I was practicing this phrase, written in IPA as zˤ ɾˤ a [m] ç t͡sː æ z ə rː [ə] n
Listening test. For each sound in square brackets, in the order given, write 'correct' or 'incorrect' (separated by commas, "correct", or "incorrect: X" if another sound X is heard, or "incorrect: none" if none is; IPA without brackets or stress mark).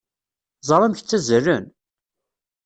correct, correct